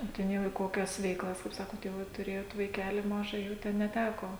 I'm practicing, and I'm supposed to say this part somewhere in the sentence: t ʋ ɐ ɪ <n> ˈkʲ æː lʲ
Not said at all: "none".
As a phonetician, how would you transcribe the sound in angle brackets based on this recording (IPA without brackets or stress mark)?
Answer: none